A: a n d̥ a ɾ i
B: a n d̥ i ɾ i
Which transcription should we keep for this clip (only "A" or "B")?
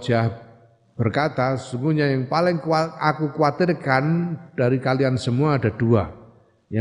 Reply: A